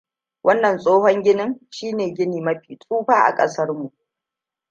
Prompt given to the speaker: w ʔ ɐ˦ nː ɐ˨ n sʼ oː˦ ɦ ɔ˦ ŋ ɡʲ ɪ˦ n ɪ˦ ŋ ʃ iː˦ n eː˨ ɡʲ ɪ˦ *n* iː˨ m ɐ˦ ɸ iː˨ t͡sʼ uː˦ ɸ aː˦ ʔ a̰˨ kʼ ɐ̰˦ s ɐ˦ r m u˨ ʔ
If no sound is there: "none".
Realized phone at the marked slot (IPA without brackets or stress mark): n